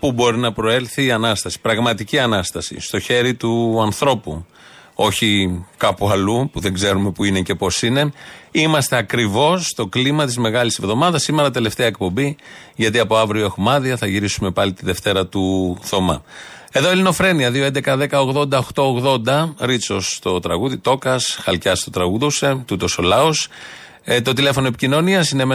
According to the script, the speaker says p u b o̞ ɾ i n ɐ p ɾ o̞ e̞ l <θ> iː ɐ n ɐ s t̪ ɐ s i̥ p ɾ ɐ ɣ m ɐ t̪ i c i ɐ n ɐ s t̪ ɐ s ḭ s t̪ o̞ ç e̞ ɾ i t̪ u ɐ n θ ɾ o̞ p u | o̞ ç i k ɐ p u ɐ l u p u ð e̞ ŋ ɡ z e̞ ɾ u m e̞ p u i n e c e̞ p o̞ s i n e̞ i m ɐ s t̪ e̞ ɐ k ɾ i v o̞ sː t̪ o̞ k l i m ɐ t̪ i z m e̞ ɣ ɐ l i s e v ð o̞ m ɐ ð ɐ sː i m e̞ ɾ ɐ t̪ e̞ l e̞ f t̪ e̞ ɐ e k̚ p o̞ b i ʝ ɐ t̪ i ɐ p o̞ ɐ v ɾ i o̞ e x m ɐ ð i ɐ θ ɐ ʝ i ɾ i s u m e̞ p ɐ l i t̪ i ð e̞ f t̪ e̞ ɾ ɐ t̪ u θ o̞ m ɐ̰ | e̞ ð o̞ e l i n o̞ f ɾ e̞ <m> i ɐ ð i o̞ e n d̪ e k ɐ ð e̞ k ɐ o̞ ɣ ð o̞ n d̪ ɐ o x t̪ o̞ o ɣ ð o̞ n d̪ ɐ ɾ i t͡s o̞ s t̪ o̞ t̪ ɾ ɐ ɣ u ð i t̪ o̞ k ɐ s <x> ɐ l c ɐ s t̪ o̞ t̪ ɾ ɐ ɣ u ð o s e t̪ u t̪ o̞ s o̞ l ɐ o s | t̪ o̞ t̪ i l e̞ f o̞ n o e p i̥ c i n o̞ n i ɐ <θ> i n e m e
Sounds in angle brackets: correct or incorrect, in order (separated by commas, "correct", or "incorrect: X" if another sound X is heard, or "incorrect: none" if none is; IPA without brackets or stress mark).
correct, incorrect: n, correct, incorrect: s